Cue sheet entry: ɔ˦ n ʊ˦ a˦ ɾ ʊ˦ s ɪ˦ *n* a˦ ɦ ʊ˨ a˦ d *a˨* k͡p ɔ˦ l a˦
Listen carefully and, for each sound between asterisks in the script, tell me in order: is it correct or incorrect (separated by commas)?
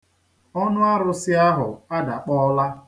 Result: incorrect, correct